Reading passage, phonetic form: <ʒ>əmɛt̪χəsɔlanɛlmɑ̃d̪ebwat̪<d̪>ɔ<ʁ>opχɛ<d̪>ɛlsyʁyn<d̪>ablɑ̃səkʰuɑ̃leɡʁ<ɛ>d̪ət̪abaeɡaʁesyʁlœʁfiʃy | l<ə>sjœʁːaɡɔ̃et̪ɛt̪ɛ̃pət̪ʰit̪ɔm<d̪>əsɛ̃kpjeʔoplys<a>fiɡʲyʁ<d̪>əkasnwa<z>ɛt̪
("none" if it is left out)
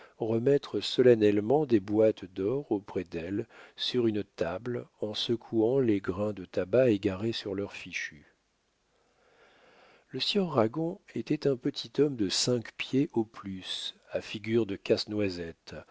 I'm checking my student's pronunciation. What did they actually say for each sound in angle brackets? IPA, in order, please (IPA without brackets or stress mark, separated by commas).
ʁ, d̪, ʁ, d̪, t̪, ɛ̃, ə, d̪, a, d̪, z